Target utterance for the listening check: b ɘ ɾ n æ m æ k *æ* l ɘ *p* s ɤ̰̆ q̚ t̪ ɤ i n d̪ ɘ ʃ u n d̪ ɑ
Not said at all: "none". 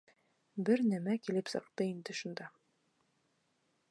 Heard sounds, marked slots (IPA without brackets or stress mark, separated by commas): i, p